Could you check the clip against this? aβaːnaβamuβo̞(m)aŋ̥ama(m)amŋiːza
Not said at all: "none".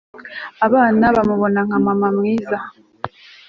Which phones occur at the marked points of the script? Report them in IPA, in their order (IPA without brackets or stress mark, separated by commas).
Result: n, m